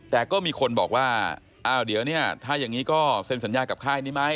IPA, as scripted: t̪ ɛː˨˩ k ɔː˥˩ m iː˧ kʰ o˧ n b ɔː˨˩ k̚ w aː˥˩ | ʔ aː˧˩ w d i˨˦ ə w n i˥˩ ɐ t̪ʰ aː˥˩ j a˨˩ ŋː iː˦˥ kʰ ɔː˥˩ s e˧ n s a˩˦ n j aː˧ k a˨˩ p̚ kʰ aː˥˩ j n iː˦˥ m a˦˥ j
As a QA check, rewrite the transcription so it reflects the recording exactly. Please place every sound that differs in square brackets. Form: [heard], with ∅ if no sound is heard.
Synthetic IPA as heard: t̪ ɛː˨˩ k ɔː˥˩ m iː˧ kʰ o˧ n b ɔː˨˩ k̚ w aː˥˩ | ʔ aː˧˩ w d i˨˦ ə w n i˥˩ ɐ t̪ʰ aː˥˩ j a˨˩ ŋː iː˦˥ [k] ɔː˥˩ s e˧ n s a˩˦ n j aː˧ k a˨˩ p̚ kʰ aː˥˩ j n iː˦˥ m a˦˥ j